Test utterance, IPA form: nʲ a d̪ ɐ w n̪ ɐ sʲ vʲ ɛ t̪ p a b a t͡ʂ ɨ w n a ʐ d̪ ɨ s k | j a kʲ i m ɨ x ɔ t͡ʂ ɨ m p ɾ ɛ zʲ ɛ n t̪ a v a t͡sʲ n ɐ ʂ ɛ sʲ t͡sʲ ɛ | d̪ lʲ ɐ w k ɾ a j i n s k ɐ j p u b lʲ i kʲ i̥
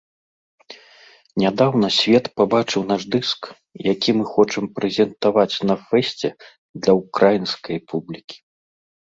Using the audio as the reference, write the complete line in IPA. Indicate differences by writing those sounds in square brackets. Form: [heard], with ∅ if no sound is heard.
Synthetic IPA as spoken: nʲ a d̪ [a] w n̪ ɐ sʲ vʲ ɛ t̪ p a b a t͡ʂ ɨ w n a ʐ d̪ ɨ s k | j a kʲ i m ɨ x ɔ t͡ʂ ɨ m p ɾ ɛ zʲ ɛ n t̪ a v a t͡sʲ n ɐ [f] ɛ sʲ t͡sʲ ɛ | d̪ lʲ ɐ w k ɾ a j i n s k ɐ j p u b lʲ i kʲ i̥